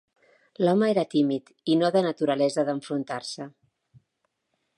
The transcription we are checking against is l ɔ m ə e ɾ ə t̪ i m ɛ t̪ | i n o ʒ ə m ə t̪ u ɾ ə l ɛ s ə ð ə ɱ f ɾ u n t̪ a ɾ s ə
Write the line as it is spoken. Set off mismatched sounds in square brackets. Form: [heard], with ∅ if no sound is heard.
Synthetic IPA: l ɔ m ə e ɾ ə t̪ i m [i] t̪ | i n o [ð] ə [n] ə t̪ u ɾ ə l ɛ [z] ə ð ə ɱ f ɾ u n t̪ a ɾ s ə